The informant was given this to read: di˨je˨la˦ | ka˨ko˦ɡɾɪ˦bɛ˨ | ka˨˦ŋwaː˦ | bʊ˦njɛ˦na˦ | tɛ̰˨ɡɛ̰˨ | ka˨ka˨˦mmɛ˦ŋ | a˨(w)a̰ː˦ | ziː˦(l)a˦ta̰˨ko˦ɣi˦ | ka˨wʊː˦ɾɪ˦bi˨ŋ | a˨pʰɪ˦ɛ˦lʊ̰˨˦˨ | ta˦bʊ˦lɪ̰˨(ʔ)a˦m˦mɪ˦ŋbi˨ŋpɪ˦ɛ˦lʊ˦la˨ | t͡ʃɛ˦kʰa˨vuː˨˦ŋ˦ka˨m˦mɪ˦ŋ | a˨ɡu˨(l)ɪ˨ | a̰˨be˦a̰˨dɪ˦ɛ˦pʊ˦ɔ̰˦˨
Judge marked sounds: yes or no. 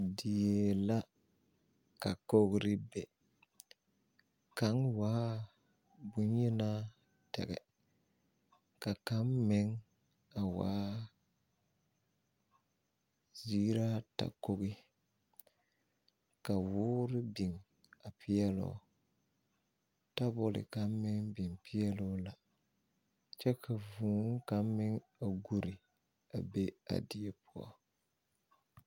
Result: yes, no, no, no

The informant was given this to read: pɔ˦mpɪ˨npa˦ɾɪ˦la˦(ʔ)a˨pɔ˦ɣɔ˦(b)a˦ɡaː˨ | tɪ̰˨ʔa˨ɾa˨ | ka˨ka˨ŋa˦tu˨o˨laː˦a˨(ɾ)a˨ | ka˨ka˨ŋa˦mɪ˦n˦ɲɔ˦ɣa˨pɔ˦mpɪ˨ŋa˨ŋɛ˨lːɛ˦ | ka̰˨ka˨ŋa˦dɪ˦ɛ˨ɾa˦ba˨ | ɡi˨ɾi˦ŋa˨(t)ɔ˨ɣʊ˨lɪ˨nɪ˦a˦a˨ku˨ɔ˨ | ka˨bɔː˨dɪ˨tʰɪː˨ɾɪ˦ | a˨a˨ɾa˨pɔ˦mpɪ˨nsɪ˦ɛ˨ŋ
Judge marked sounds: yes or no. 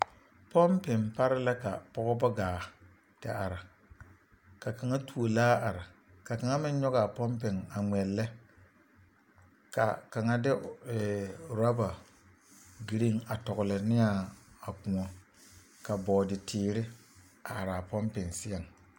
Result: no, yes, yes, yes

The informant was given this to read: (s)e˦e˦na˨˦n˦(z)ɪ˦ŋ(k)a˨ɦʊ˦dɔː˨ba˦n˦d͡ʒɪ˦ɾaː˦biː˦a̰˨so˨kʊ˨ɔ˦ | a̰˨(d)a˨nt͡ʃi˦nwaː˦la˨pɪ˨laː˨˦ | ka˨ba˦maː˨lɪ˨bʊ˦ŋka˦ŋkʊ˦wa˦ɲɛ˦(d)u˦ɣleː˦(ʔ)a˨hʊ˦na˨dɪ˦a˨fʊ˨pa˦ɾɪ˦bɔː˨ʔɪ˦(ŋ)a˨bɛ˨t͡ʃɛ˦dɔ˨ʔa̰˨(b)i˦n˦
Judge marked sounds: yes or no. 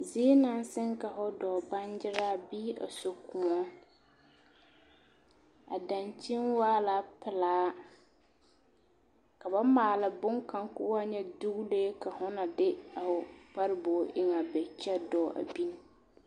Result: no, no, yes, yes, yes, no, yes, yes

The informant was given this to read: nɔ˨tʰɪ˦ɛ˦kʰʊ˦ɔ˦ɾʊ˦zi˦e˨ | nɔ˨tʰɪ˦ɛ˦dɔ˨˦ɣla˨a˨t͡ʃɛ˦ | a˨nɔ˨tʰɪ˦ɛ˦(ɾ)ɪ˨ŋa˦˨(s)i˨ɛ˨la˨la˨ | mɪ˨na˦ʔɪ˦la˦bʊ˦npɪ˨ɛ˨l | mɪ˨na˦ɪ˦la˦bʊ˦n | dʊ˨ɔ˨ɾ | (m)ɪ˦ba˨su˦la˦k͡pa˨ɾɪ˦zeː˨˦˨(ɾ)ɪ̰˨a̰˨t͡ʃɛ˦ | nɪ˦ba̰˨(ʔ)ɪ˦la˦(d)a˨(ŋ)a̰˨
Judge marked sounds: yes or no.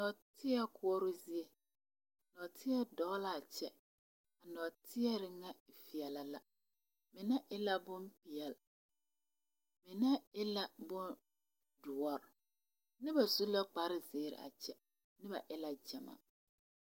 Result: yes, no, no, yes, yes, no, no

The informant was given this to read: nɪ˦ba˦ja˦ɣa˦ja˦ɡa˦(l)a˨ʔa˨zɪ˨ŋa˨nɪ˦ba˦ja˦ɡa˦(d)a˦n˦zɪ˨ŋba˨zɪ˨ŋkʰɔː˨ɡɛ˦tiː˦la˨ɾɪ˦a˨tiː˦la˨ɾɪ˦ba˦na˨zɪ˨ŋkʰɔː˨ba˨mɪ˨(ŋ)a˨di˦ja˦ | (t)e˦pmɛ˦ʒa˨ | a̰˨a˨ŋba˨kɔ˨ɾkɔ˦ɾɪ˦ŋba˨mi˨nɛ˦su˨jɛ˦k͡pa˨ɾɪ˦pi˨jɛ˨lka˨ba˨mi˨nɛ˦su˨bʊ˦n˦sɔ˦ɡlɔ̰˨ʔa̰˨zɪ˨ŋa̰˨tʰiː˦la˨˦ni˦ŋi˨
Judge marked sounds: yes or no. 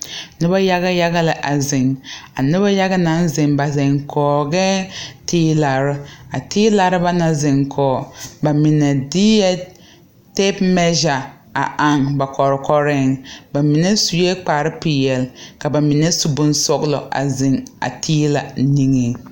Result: yes, no, no, yes

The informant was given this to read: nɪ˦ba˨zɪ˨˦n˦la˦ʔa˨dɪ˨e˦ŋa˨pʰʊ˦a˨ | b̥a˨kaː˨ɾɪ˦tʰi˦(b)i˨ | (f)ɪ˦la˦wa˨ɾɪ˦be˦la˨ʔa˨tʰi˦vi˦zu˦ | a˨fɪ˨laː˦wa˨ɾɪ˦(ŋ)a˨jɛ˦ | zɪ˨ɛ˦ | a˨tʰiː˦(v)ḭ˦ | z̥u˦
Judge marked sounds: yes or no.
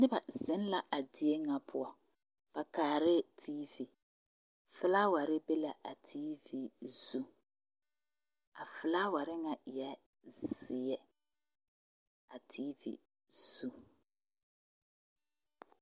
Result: no, yes, yes, yes

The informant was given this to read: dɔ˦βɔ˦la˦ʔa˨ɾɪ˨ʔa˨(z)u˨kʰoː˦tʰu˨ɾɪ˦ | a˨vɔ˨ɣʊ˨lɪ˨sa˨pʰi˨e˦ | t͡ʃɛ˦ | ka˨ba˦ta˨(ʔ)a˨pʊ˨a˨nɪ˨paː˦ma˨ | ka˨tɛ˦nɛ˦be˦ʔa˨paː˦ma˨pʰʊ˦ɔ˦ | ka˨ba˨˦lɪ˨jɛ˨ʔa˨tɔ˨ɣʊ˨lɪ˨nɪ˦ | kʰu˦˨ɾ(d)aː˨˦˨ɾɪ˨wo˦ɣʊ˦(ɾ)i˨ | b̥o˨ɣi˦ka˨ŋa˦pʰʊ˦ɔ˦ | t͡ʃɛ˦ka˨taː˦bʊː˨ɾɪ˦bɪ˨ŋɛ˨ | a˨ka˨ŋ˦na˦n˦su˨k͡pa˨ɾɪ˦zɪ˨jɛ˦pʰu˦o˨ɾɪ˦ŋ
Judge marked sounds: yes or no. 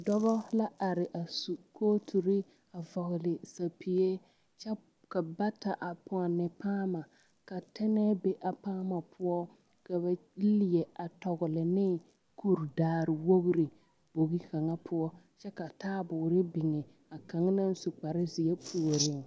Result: no, yes, yes, yes

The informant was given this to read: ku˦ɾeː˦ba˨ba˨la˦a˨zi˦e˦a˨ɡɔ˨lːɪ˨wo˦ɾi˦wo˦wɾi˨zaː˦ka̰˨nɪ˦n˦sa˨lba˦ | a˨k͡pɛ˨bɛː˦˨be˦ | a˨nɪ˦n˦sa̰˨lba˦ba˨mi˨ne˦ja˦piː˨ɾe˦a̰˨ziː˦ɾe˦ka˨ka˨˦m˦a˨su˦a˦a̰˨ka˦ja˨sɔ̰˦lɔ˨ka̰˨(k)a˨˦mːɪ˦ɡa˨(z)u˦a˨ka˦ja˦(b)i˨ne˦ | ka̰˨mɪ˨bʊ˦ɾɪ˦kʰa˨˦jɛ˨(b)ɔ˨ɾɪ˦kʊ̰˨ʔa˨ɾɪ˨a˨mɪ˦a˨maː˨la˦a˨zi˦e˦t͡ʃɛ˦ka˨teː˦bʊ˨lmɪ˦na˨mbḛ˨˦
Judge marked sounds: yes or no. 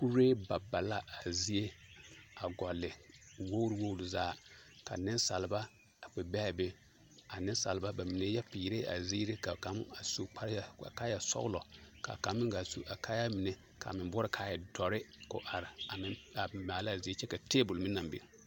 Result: yes, no, no, no

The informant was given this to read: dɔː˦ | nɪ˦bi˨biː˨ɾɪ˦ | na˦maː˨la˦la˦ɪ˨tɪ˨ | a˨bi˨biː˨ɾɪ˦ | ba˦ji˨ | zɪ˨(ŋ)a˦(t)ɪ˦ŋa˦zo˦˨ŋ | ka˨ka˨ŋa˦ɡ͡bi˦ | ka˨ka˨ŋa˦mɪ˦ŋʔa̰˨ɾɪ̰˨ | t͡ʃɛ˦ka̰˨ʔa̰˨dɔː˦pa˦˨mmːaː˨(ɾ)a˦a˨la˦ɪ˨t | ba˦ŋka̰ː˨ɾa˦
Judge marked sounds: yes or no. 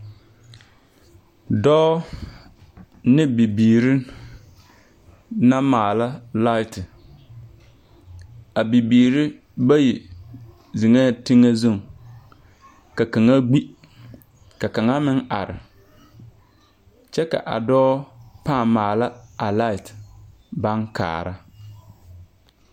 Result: yes, yes, no

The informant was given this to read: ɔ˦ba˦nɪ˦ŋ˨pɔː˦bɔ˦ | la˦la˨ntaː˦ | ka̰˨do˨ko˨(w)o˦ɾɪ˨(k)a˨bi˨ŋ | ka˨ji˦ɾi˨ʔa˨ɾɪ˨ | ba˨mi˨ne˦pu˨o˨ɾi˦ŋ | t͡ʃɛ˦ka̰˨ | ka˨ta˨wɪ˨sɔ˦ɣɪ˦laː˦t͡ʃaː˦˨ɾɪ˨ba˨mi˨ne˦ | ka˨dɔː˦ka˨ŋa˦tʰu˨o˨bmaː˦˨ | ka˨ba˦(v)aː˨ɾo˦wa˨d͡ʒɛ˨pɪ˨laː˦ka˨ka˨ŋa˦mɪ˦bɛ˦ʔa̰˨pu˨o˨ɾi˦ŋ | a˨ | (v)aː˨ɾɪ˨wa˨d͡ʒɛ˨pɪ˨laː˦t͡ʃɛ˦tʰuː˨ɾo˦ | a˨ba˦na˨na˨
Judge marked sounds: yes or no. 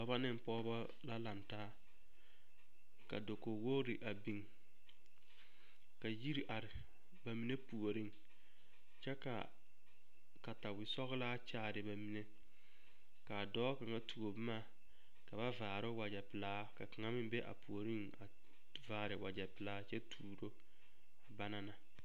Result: yes, no, yes, yes

